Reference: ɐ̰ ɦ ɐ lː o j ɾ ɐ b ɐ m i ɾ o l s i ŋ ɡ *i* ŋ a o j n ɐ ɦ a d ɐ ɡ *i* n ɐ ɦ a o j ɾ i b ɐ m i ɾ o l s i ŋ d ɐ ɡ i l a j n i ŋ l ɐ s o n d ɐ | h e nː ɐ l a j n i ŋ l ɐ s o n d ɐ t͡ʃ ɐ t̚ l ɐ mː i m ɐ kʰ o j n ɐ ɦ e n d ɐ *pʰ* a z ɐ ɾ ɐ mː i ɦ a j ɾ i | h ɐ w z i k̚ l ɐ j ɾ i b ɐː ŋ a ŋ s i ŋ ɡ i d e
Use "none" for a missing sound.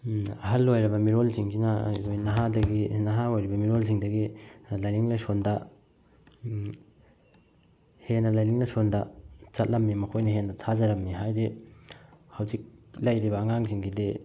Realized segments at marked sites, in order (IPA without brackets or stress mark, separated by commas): i, i, tʰ